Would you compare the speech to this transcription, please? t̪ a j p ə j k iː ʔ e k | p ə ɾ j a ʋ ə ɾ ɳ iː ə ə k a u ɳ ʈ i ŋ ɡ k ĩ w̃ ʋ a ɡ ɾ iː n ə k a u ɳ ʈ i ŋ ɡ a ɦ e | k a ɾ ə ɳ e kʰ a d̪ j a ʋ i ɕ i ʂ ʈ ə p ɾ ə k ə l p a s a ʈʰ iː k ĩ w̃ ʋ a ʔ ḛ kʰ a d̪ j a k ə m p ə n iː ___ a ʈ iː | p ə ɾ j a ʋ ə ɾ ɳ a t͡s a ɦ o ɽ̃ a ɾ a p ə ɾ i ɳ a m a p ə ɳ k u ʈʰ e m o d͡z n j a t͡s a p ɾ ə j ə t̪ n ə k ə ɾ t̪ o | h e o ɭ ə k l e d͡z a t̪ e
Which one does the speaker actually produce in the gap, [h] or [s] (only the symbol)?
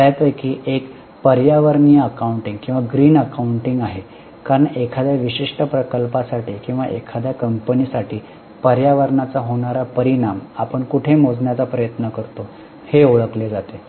s